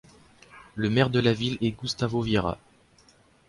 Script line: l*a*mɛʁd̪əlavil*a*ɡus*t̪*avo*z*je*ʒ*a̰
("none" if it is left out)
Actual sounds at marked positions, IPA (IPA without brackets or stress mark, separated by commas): ə, ɛ, t̪, v, ʁ